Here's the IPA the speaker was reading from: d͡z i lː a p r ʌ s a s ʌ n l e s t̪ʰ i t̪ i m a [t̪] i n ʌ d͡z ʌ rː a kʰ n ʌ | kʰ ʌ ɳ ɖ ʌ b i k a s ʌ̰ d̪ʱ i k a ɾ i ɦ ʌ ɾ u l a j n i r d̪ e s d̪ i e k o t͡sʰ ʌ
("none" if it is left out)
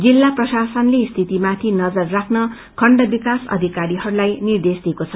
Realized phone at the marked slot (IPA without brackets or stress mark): t̪ʰ